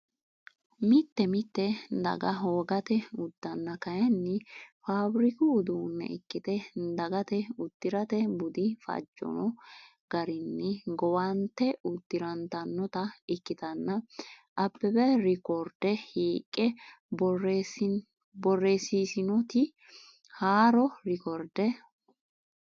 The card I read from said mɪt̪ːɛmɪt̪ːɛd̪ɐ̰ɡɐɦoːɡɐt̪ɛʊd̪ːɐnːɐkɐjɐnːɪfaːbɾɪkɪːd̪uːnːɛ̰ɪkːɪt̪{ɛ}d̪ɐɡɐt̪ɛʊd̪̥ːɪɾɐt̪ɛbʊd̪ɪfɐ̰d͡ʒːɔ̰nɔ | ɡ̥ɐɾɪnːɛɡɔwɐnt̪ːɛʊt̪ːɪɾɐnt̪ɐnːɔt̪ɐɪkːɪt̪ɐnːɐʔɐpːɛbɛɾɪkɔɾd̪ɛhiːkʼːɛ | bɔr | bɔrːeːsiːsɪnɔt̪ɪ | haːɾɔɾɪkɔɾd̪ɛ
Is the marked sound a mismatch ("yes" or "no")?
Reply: no